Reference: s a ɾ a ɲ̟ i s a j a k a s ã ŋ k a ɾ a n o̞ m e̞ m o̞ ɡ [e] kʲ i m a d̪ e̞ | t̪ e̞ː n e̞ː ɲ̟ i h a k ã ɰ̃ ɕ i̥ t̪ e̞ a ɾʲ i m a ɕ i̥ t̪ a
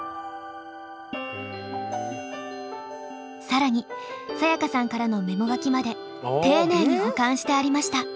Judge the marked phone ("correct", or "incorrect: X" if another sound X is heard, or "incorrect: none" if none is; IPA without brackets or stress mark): incorrect: a